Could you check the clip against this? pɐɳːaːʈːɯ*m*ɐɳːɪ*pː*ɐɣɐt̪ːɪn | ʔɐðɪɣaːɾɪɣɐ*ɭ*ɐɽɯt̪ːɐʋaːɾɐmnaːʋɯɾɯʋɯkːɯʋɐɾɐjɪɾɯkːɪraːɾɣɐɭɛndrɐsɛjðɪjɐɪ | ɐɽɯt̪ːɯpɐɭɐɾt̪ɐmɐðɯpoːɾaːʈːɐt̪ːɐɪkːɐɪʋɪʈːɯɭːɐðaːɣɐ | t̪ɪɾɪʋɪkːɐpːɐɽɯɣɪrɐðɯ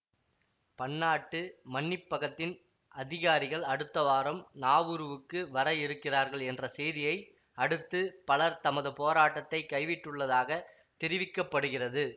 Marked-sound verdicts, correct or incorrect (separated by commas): correct, correct, correct